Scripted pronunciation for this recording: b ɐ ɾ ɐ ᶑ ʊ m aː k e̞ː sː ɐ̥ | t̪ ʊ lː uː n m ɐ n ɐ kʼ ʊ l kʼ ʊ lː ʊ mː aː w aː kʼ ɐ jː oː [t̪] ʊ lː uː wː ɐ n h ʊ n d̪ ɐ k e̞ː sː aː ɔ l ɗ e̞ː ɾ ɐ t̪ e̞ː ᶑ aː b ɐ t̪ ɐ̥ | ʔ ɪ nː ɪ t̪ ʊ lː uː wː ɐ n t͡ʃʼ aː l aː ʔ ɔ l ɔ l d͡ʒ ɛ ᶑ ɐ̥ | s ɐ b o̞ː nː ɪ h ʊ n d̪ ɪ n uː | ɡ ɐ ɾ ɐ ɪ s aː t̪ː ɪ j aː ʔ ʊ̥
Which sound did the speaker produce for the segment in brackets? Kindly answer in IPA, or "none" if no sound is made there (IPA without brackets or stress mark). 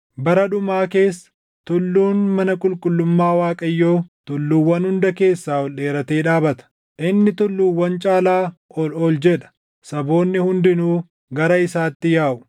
t̪